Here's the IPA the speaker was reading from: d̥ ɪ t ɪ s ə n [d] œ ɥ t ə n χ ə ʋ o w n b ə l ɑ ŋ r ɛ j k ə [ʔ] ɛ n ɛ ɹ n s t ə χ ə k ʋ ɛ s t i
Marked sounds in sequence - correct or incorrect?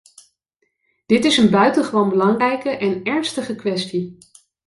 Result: incorrect: b, correct

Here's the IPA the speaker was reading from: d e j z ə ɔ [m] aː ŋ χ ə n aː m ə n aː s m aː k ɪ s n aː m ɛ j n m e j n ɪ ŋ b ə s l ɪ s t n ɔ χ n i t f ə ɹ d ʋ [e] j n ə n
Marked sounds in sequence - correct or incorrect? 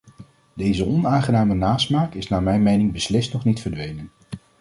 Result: incorrect: n, correct

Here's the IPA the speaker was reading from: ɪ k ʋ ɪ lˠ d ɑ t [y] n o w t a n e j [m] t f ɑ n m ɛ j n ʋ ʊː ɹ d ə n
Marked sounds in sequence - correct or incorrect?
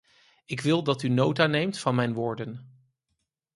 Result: correct, correct

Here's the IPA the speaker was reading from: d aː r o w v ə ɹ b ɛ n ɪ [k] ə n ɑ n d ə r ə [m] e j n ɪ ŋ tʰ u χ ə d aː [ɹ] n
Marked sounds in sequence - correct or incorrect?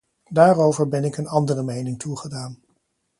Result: correct, correct, incorrect: none

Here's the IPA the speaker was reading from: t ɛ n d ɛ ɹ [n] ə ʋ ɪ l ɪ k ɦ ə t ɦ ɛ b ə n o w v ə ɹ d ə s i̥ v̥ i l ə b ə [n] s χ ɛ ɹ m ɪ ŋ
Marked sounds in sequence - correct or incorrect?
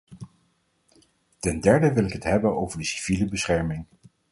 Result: incorrect: d, incorrect: none

